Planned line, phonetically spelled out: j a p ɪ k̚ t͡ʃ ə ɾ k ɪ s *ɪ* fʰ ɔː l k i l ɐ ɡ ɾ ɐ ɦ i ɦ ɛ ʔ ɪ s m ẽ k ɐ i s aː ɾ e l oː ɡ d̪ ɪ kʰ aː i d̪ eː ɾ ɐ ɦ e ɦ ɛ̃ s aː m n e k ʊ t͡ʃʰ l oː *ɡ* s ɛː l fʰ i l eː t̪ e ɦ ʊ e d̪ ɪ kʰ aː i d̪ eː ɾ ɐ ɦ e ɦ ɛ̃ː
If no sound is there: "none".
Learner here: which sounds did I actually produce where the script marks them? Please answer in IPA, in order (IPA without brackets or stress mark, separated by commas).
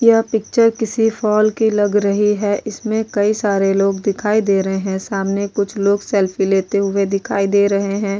i, ɡ